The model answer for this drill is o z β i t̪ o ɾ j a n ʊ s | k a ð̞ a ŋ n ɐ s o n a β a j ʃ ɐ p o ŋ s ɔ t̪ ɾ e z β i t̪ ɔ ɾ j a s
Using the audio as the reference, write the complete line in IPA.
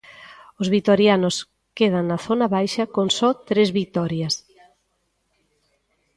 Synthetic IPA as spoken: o z β i t̪ o ɾ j a n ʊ s | k e ð̞ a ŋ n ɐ θ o n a β a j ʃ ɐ k o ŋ s ɔ t̪ ɾ e z β i t̪ ɔ ɾ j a s